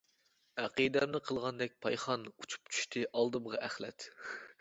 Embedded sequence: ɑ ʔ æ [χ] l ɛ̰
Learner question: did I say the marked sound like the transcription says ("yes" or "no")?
yes